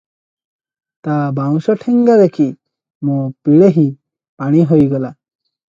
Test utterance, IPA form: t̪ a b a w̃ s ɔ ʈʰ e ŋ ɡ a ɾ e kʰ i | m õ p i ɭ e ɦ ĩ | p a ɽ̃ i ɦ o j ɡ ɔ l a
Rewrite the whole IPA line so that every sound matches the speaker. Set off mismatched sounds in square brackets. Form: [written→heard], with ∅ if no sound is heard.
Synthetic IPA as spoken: t̪ a b a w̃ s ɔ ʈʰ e ŋ ɡ a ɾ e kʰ i | m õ p i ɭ e ɦ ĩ | p a ɽ̃ i ɦ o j ɡ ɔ l a